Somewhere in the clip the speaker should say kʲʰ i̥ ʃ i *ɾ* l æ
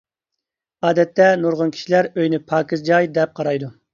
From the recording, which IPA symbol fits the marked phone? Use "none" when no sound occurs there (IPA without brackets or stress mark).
none